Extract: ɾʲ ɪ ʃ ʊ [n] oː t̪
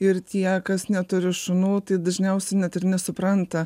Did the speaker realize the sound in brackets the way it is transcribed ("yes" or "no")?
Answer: yes